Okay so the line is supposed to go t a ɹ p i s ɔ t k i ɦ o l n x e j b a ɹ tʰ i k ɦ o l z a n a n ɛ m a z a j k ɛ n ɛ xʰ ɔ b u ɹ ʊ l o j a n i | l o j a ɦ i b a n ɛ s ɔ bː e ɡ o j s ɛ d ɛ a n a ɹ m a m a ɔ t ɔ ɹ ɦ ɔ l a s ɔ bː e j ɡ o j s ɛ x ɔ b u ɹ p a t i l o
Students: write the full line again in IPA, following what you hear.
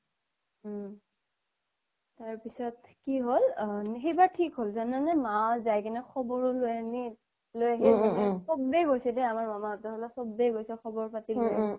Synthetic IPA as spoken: t a ɹ p i s ɔ t k i ɦ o l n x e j b a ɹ tʰ i k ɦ o l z a n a n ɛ m a z a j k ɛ n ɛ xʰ ɔ b ɔ ɹ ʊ l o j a n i | l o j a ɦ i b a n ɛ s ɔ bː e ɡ o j s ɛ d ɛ a m a ɹ m a m a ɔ t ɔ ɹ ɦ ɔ l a s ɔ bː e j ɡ o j s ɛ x ɔ b ɔ ɹ p a t i l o